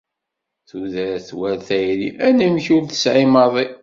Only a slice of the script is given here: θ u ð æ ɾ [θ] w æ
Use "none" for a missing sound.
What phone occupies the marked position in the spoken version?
θ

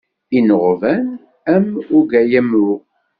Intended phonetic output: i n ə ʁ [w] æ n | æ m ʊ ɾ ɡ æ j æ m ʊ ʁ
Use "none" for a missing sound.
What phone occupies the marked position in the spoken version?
v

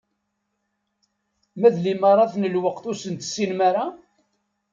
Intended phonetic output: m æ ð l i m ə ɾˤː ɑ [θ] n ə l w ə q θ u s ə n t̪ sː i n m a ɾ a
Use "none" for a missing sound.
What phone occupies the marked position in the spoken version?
θ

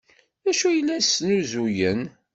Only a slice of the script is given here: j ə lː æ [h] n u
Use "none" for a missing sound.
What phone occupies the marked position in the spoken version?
s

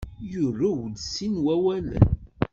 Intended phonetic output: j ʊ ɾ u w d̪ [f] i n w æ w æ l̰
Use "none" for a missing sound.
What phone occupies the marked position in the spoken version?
s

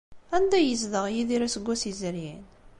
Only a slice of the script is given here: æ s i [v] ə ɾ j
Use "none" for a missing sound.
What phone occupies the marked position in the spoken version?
z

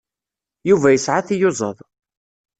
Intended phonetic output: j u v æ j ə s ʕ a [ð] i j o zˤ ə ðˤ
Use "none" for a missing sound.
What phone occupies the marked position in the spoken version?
θ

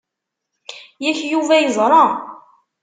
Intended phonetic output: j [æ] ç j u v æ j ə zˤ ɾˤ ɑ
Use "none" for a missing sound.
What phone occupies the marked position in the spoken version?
æ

